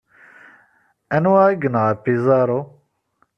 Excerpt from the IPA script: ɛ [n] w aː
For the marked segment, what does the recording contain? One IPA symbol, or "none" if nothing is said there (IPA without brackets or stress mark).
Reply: n